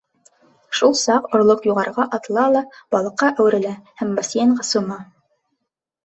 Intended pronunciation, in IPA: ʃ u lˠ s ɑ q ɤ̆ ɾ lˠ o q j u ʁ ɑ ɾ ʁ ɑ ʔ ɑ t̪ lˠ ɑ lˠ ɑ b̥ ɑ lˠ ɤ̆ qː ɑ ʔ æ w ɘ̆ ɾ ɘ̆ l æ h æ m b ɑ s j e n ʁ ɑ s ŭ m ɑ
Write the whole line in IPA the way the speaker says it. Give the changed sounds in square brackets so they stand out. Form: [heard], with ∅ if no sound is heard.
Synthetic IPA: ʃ u lˠ s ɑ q [ŏ] ɾ lˠ o q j u ʁ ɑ ɾ ʁ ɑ ʔ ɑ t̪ lˠ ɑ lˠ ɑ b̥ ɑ lˠ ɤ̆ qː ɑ ʔ æ w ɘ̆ ɾ ɘ̆ l æ h æ m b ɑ s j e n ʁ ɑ s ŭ m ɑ